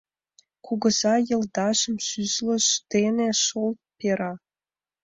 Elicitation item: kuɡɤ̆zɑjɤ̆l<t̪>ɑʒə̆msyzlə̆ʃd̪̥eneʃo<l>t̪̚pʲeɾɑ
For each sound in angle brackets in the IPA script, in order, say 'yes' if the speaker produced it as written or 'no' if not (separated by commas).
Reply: no, yes